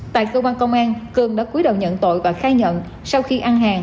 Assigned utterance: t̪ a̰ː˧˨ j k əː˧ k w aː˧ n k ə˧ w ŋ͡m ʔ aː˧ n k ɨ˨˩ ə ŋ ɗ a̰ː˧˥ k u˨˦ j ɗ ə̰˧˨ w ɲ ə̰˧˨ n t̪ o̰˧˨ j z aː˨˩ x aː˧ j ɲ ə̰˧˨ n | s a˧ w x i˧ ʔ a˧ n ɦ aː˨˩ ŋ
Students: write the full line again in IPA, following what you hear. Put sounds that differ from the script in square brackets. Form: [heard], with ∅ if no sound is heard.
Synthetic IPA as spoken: t̪ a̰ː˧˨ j k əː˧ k w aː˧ n k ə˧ w ŋ͡m ʔ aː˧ n k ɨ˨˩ ə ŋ ɗ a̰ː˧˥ k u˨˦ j ɗ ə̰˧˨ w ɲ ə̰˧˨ n t̪ o̰˧˨ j [v] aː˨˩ x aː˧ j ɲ ə̰˧˨ n | s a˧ w x i˧ ʔ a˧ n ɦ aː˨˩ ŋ